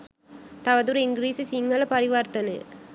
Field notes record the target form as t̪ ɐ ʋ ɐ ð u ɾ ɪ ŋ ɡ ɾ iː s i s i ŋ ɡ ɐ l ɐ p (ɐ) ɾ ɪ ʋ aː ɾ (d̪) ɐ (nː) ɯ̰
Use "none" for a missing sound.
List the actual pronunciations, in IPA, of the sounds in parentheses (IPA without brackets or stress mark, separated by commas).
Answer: ɐ, t̪, n